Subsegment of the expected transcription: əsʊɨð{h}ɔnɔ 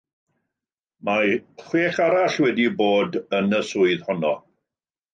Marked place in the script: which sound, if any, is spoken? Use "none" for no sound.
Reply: h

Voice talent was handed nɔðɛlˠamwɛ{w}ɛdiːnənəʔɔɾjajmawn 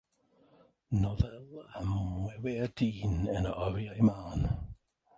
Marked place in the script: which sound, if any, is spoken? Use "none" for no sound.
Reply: w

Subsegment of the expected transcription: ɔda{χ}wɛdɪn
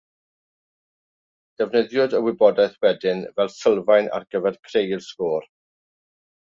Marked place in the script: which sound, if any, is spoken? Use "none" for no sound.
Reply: θ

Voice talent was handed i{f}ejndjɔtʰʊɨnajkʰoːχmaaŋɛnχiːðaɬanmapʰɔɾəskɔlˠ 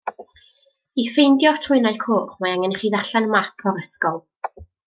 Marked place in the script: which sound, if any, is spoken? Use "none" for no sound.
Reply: f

